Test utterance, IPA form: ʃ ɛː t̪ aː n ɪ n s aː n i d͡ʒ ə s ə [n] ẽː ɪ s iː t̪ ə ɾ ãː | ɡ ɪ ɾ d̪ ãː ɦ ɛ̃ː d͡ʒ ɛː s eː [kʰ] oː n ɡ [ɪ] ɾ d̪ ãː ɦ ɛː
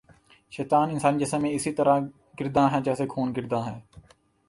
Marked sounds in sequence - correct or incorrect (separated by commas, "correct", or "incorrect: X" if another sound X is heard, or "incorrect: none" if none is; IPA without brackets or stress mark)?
incorrect: m, correct, correct